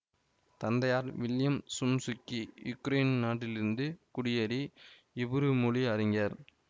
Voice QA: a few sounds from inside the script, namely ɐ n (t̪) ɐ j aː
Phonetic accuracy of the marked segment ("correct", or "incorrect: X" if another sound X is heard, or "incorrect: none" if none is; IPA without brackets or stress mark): incorrect: d̪